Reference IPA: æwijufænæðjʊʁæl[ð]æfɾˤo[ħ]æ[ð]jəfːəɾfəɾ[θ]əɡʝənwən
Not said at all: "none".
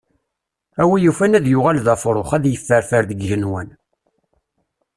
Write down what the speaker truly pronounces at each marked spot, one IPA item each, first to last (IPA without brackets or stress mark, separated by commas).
ð, χ, ð, ð